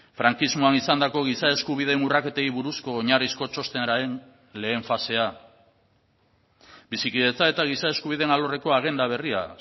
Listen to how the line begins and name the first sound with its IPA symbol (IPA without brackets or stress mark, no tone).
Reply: f